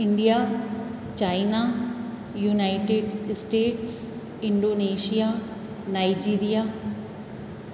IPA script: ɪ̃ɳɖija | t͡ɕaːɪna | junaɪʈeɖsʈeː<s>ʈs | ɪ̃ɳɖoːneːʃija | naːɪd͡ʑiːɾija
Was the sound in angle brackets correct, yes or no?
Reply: no